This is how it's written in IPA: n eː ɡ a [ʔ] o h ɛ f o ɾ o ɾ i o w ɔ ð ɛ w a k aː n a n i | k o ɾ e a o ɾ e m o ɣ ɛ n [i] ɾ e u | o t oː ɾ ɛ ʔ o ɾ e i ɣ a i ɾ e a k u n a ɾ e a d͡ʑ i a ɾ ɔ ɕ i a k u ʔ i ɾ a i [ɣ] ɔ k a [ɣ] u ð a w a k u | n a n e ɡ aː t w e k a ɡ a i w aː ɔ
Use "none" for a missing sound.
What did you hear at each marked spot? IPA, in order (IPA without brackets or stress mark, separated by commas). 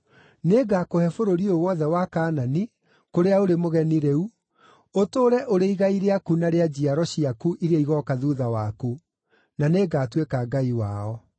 k, i, ɣ, ð